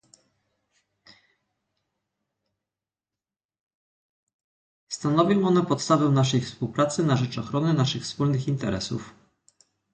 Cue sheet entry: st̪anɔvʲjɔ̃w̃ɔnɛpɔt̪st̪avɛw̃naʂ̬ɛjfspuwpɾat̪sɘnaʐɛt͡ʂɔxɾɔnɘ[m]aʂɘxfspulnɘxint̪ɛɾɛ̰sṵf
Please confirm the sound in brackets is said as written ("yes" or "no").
no